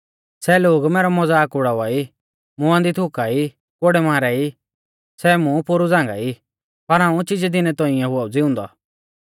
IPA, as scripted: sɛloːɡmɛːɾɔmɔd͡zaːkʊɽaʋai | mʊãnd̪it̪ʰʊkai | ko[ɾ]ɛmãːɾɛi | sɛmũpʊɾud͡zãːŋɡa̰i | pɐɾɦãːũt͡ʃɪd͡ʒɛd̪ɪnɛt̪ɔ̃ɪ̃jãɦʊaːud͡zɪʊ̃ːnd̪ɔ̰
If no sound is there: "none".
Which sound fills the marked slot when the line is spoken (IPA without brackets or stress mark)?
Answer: ɽ